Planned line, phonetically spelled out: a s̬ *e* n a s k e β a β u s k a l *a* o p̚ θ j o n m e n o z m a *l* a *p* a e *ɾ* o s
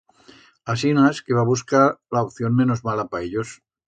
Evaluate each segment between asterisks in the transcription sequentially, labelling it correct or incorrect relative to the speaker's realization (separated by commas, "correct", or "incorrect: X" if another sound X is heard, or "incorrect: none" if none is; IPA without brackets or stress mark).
incorrect: i, correct, correct, correct, incorrect: ʎ